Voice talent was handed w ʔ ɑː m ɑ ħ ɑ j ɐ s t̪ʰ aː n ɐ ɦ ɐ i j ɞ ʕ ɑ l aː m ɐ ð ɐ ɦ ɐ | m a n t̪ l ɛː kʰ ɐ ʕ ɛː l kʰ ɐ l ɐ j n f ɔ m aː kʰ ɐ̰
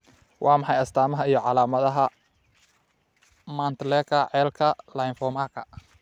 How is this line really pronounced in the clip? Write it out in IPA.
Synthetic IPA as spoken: w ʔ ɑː m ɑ ħ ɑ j ɐ s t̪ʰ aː m ɐ ɦ ɐ i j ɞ ʕ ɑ l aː m ɐ ð ɐ ɦ ɐ | m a n t̪ l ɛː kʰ ɐ ʕ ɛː l kʰ ɐ l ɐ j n f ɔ m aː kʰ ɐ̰